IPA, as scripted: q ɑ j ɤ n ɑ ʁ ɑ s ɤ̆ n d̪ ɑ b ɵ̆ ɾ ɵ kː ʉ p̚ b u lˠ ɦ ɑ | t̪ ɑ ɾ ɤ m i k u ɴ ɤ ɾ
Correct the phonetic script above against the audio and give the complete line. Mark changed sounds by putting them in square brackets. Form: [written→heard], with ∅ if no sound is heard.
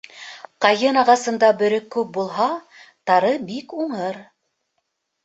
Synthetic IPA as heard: q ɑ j ɤ n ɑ ʁ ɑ s ɤ̆ n d̪ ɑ b ɵ̆ ɾ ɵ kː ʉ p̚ b u lˠ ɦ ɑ | t̪ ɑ ɾ ɤ [m→b] i k u ɴ ɤ ɾ

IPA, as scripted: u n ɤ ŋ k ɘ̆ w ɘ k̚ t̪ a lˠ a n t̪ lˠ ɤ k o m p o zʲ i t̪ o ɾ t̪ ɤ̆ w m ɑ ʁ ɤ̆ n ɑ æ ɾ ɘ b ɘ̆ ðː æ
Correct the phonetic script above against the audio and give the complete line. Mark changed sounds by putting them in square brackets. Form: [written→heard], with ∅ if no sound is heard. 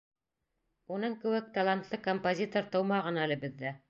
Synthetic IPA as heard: u n ɤ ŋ k ɘ̆ w ɘ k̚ t̪ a lˠ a n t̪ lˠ ɤ k o m p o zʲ i t̪ o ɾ t̪ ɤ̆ w m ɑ ʁ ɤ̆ n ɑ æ [ɾ→l] ɘ b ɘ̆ ðː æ

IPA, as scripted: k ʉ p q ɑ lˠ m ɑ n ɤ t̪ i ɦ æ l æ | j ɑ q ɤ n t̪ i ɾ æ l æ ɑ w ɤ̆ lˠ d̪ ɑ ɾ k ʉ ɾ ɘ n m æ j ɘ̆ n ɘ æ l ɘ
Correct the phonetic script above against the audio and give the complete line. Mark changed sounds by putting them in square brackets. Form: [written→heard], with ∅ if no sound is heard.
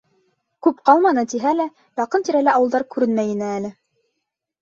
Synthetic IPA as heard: k ʉ p q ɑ lˠ m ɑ n ɤ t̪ i ɦ æ l æ | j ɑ q ɤ n t̪ i ɾ æ l æ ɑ w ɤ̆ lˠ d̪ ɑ ɾ k ʉ ɾ ɘ n m æ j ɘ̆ n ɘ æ l ɘ

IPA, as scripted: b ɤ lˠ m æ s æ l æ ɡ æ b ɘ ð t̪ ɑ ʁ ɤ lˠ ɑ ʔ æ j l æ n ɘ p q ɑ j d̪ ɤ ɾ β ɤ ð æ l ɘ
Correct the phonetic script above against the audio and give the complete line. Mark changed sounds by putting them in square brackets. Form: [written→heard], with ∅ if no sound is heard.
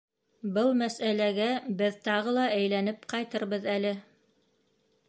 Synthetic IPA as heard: b ɤ lˠ m æ s æ l æ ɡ æ b ɘ ð t̪ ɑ ʁ ɤ lˠ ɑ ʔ æ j l æ n ɘ p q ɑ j [d̪→t̪] ɤ ɾ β ɤ ð æ l ɘ

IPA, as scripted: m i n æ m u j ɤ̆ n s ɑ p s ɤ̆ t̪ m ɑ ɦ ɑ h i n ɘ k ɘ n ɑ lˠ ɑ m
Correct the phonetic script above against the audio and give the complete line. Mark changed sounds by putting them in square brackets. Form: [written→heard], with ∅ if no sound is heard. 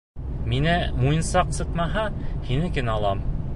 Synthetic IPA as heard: m i n æ m u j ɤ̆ n s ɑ [p→q] s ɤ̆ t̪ m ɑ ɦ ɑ h i n ɘ k ɘ n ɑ lˠ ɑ m

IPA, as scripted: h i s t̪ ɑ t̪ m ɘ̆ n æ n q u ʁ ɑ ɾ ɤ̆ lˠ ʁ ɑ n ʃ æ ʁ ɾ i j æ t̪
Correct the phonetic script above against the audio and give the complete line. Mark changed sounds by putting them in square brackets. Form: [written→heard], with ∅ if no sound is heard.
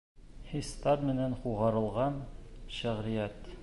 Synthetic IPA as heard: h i s t̪ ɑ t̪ m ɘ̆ n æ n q u ʁ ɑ ɾ ɤ̆ lˠ ʁ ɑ n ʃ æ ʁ ɾ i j æ t̪

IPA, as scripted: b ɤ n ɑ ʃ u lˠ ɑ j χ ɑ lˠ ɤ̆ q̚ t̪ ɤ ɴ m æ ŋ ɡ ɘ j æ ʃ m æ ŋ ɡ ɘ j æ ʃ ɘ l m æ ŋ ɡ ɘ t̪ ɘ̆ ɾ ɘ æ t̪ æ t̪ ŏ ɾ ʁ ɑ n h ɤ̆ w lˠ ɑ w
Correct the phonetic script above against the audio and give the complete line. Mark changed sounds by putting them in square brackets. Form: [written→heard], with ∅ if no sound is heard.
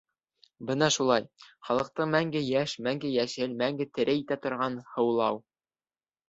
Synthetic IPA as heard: b ɤ n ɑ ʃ u lˠ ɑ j χ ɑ lˠ ɤ̆ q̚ t̪ ɤ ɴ m æ ŋ ɡ ɘ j æ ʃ m æ ŋ ɡ ɘ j æ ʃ ɘ l m æ ŋ ɡ ɘ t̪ ɘ̆ ɾ ɘ [æ→i] t̪ æ t̪ ŏ ɾ ʁ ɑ n h ɤ̆ w lˠ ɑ w

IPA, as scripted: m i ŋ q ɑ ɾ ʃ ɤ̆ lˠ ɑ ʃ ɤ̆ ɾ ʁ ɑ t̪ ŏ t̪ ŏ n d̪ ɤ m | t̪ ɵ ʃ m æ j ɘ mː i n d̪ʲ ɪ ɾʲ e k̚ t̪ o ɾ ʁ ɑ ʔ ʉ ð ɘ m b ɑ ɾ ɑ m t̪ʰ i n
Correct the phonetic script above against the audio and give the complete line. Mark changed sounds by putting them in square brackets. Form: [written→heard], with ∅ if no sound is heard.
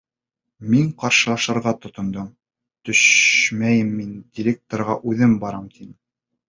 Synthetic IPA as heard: m i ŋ q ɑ ɾ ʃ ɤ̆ lˠ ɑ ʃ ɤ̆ ɾ ʁ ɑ t̪ ŏ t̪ ŏ n d̪ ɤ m | t̪ ɵ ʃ m æ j ɘ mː i n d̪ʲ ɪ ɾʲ e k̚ t̪ o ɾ ʁ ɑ ʔ ʉ ð ɘ m b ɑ ɾ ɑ m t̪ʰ i n

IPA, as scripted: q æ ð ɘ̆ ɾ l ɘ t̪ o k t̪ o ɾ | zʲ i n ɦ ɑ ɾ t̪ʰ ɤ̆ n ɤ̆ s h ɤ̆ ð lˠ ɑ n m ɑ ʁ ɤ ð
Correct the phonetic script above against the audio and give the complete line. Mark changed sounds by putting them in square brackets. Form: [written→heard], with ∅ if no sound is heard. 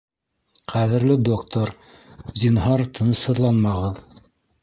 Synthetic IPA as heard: q æ ð ɘ̆ ɾ l ɘ [t̪→d̪] o k t̪ o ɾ | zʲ i n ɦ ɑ ɾ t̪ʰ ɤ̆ n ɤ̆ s h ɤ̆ ð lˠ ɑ n m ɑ ʁ ɤ ð

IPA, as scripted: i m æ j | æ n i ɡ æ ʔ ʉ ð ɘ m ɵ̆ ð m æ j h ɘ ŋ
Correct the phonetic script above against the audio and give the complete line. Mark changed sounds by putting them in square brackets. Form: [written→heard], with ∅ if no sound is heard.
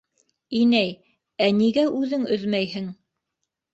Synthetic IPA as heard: i [m→n] æ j | æ n i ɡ æ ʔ ʉ ð ɘ [m→ŋ] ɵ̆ ð m æ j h ɘ ŋ

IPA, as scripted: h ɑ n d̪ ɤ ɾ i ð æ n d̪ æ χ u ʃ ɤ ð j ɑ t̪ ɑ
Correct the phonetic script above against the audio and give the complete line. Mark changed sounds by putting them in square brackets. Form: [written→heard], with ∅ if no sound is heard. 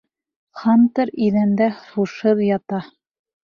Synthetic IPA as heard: [h→χ] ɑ n [d̪→t̪] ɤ ɾ i ð æ n d̪ æ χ u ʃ ɤ ð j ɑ t̪ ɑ

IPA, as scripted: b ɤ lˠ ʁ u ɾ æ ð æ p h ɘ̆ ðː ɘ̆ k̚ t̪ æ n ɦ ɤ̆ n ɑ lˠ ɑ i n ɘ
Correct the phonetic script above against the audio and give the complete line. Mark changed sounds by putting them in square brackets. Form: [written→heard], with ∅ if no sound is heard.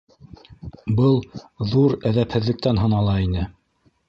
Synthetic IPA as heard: b ɤ lˠ [ʁ→ð] u ɾ æ ð æ p h ɘ̆ ðː ɘ̆ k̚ t̪ æ n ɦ ɤ̆ n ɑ lˠ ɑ i n ɘ

